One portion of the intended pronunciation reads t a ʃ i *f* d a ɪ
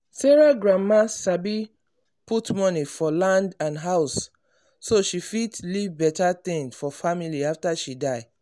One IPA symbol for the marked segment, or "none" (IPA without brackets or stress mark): none